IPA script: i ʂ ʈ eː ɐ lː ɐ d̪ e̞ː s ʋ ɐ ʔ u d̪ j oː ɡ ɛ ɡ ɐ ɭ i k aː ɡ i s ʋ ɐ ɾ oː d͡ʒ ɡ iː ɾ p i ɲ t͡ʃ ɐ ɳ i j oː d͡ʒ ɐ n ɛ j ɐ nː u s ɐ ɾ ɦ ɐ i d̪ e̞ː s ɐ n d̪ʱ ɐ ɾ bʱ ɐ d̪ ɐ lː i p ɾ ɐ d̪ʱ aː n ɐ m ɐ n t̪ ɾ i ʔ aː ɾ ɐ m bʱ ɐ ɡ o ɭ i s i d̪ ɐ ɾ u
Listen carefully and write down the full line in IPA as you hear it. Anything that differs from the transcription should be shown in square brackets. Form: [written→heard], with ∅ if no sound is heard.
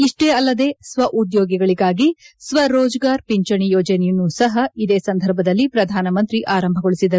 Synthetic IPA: i ʂ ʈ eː ɐ lː ɐ d̪ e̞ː s ʋ ɐ ʔ u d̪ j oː ɡ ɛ ɡ ɐ ɭ i [k→ɡ] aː ɡ i s ʋ ɐ ɾ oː d͡ʒ ɡ [iː→aː] ɾ p i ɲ t͡ʃ ɐ ɳ i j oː d͡ʒ ɐ n ɛ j ɐ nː u s ɐ [ɾ→∅] ɦ ɐ i d̪ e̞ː s ɐ n d̪ʱ ɐ ɾ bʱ ɐ d̪ ɐ lː i p ɾ ɐ d̪ʱ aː n ɐ m ɐ n t̪ ɾ i ʔ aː ɾ ɐ m bʱ ɐ ɡ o ɭ i s i d̪ ɐ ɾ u

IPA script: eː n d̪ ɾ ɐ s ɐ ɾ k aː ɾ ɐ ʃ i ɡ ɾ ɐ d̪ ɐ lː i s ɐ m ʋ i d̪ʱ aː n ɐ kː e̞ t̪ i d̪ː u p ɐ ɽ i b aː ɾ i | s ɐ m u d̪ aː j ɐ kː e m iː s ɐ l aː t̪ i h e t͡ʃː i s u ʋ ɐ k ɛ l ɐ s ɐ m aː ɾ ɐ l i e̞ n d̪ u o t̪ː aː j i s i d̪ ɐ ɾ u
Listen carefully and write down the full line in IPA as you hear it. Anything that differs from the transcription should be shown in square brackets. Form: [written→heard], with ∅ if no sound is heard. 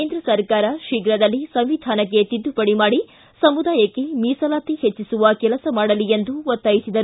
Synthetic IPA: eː n d̪ ɾ ɐ s ɐ ɾ k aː ɾ ɐ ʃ i ɡ ɾ ɐ d̪ ɐ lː i s ɐ m ʋ i d̪ʱ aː n ɐ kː e̞ t̪ i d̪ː u p ɐ ɽ i [b→m] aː [ɾ→ɽ] i | s ɐ m u d̪ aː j ɐ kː e m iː s ɐ l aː t̪ i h e t͡ʃː i s u ʋ ɐ k ɛ l ɐ s ɐ m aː [ɾ→ɽ] ɐ l i e̞ n d̪ u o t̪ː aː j i s i d̪ ɐ ɾ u

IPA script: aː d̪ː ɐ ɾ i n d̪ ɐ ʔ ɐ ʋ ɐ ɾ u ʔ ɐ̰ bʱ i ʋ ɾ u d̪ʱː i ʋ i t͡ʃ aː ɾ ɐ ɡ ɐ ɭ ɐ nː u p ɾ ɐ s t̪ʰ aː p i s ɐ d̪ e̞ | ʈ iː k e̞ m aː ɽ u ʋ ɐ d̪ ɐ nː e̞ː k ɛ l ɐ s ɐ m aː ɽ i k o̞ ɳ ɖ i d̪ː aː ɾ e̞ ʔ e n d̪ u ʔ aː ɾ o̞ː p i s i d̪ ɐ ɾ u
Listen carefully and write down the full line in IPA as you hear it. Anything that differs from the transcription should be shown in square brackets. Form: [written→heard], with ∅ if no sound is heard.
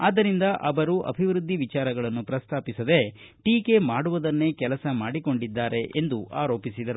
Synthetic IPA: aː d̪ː ɐ ɾ i n d̪ ɐ ʔ ɐ ʋ ɐ ɾ u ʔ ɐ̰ bʱ i ʋ ɾ u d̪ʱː i ʋ i t͡ʃ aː ɾ ɐ ɡ ɐ ɭ ɐ nː u p ɾ ɐ s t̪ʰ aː p i s ɐ d̪ e̞ | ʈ iː k e̞ m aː ɽ u ʋ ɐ d̪ ɐ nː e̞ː k ɛ l ɐ s ɐ m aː ɽ i k o̞ ɳ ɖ i d̪ː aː ɾ e̞ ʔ e n d̪ u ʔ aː ɾ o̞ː p i s i d̪ ɐ ɾ u

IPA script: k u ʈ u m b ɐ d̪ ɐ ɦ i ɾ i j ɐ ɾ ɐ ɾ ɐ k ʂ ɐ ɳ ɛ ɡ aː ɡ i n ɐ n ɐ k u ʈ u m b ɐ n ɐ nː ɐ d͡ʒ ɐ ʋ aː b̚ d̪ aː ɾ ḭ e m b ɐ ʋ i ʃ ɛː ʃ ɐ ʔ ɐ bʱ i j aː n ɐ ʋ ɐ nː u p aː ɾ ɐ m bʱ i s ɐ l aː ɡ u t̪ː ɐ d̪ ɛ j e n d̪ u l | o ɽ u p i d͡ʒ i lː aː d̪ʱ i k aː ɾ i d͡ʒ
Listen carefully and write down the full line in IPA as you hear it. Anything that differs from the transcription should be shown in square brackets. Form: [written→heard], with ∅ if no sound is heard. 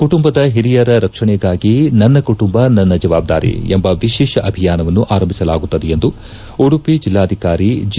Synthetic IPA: k u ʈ u m b ɐ d̪ ɐ ɦ i ɾ i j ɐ ɾ ɐ ɾ ɐ k ʂ ɐ ɳ ɛ ɡ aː ɡ i n ɐ [n→nː] ɐ k u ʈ u m b ɐ n ɐ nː ɐ d͡ʒ ɐ ʋ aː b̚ d̪ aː ɾ ḭ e m b ɐ ʋ i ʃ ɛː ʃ ɐ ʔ ɐ bʱ i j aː n ɐ ʋ ɐ nː u [p→ʔ] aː ɾ ɐ m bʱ i s ɐ l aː ɡ u t̪ː ɐ d̪ ɛ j e n d̪ u [l→∅] | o ɽ u p i d͡ʒ i lː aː d̪ʱ i k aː ɾ i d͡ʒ

